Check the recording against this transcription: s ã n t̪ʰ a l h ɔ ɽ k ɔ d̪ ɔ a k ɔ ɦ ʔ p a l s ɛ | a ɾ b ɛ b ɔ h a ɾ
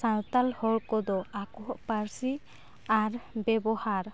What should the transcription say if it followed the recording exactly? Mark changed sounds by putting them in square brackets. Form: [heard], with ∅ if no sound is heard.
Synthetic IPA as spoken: s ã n [t̪] a l h ɔ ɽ k ɔ d̪ ɔ a k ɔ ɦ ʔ p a [ɾ] s [i] | a ɾ b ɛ b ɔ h a ɾ